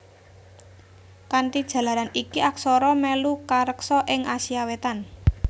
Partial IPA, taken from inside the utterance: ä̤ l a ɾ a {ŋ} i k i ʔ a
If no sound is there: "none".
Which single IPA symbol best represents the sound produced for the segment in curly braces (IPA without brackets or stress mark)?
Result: n